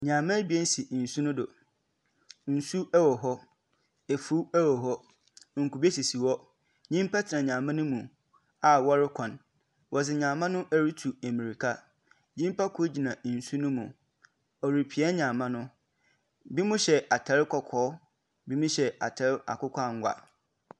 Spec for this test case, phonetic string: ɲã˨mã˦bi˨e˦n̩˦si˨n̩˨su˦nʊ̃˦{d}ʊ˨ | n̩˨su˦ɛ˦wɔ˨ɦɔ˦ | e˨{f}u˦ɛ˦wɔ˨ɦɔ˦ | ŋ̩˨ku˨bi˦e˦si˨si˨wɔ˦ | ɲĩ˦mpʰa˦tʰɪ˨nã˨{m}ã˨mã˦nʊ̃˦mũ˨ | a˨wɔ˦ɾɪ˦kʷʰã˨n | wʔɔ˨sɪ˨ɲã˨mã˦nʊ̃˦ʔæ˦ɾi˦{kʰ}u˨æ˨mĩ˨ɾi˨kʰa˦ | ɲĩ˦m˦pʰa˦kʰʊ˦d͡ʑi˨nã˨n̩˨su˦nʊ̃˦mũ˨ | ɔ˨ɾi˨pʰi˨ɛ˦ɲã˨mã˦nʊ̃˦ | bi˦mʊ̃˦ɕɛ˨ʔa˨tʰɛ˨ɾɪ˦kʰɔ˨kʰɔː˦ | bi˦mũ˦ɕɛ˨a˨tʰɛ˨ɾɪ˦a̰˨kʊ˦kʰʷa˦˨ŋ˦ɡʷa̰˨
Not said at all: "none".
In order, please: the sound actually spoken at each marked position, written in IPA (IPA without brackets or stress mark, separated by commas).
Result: d, f, ɲ, tʰ